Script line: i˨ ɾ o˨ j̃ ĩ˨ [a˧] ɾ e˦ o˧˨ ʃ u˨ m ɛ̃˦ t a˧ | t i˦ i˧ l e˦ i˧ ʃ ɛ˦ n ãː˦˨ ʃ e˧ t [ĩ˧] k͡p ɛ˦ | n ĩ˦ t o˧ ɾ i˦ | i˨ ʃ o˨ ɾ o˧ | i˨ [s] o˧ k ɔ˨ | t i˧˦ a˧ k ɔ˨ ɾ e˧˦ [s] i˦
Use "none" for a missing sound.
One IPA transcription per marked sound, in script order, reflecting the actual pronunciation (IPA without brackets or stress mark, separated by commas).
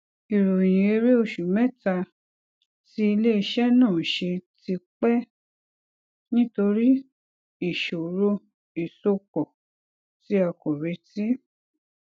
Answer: e˧, i˧, s, t